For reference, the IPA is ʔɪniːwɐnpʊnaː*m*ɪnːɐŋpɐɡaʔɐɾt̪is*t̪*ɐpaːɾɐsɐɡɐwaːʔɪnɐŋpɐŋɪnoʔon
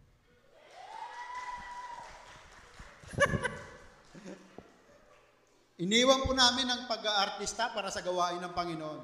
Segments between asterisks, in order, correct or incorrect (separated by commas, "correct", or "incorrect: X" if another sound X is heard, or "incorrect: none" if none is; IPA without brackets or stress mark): correct, correct